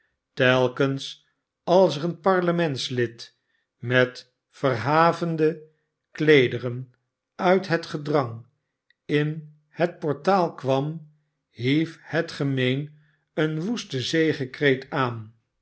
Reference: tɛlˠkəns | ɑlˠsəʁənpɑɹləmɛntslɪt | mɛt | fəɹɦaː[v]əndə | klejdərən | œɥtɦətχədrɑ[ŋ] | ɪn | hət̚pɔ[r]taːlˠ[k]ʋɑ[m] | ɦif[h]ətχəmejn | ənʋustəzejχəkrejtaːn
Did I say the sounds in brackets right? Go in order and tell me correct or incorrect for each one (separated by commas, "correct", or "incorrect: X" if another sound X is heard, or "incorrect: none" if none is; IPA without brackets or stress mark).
correct, correct, incorrect: ɹ, correct, correct, correct